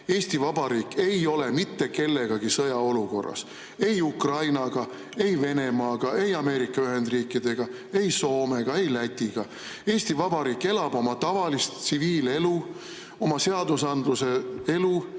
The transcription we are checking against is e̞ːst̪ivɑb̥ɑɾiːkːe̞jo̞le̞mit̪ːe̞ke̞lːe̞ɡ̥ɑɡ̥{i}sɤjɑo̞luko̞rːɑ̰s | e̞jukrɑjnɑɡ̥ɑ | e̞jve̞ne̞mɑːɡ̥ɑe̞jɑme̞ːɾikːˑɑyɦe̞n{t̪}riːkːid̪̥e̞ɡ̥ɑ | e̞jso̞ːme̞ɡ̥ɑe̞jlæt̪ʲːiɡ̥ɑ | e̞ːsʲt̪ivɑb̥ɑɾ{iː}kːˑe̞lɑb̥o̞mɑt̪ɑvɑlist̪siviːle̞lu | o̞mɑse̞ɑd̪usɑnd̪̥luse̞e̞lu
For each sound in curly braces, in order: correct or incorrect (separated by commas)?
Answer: correct, incorrect, correct